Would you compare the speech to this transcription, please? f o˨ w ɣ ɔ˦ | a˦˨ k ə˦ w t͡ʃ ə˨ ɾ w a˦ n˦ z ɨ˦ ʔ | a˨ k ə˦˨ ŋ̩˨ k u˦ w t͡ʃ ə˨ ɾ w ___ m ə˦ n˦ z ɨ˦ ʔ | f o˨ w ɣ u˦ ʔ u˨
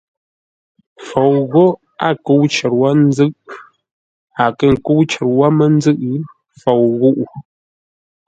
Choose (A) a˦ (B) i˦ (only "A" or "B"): A